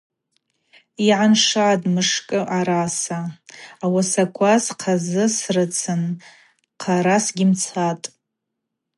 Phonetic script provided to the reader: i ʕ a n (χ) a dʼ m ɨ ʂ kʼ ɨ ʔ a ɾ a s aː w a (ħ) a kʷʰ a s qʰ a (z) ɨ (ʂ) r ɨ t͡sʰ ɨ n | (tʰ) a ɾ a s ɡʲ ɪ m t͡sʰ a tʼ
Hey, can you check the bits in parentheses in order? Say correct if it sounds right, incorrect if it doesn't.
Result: incorrect: ʂ, incorrect: s, correct, incorrect: s, incorrect: qʰ

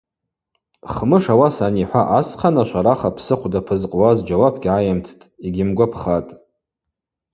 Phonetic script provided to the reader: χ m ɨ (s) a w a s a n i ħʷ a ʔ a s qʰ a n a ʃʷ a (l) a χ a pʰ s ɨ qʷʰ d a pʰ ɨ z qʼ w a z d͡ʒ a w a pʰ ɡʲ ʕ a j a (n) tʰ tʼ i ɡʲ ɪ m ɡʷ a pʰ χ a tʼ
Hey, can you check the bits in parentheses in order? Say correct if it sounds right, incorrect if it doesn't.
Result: incorrect: ʂ, incorrect: ɾ, incorrect: m

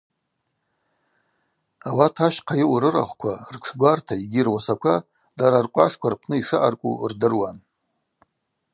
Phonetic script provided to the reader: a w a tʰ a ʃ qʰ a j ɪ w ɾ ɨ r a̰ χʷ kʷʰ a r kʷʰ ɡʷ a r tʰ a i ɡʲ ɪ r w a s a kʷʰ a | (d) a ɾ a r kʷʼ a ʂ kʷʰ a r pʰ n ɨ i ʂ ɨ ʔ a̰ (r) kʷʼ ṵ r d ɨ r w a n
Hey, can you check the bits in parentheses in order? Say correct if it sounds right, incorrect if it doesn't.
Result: correct, correct

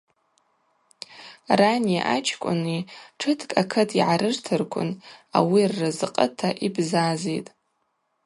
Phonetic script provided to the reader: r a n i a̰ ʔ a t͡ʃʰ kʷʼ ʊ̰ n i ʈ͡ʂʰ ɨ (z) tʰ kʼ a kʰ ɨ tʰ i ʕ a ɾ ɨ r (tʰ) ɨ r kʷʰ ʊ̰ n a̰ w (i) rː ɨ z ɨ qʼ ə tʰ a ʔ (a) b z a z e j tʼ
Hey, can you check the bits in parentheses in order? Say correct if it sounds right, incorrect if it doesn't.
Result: incorrect: none, correct, correct, incorrect: i

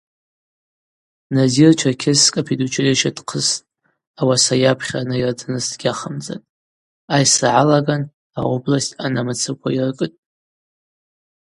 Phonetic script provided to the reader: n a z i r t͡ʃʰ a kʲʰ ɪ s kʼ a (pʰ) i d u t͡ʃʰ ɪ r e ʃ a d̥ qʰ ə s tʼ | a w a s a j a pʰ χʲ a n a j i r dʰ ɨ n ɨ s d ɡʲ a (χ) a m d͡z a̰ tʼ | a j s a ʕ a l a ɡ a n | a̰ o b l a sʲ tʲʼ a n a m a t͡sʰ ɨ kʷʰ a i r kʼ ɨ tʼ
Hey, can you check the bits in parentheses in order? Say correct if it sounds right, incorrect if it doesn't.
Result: correct, correct

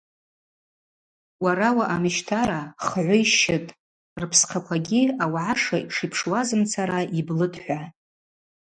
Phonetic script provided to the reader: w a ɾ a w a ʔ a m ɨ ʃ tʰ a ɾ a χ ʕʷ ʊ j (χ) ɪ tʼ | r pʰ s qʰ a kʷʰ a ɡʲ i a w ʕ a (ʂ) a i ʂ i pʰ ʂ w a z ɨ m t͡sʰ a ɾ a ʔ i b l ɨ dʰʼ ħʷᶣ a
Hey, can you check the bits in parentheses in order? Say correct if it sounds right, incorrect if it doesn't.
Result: incorrect: ʃ, correct

